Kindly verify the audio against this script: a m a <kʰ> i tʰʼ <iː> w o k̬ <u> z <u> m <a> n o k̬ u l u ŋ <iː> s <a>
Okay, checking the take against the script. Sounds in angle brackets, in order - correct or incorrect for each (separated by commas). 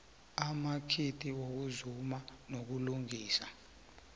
correct, incorrect, correct, correct, correct, correct, correct